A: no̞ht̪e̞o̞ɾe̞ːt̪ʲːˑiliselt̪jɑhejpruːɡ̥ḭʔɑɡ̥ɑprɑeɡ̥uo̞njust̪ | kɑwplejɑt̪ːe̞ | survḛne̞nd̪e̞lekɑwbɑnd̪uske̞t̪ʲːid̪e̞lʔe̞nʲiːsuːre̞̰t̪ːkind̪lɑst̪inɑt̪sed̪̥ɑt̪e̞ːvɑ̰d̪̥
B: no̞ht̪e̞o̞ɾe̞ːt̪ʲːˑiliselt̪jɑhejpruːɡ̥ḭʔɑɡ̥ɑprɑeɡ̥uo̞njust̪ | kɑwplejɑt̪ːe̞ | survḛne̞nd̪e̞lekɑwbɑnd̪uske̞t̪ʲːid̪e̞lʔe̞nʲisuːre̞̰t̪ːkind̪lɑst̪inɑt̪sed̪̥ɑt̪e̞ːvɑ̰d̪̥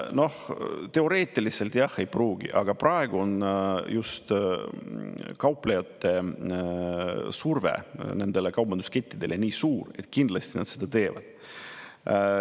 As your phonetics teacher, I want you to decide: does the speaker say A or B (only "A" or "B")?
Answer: A